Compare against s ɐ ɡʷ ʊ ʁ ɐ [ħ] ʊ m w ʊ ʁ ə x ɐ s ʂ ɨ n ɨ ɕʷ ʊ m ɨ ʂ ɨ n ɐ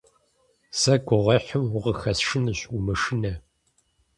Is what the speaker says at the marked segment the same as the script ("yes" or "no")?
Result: yes